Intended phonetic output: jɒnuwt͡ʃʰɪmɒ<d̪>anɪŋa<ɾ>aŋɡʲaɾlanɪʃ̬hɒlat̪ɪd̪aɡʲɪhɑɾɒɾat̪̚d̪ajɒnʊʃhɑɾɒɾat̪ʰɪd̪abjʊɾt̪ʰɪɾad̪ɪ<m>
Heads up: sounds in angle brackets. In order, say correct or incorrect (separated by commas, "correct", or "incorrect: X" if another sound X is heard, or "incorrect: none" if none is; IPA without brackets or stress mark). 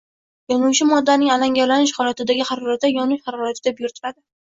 incorrect: d̪ː, incorrect: l, incorrect: none